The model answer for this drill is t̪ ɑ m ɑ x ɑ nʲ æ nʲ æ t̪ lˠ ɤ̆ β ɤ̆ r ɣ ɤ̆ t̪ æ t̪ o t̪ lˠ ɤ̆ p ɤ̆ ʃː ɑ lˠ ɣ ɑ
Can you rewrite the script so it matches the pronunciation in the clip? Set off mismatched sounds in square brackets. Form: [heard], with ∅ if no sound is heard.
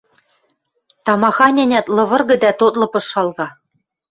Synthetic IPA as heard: t̪ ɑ m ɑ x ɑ nʲ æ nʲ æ t̪ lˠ ɤ̆ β ɤ̆ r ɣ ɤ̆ [d̪] æ t̪ o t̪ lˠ ɤ̆ p ɤ̆ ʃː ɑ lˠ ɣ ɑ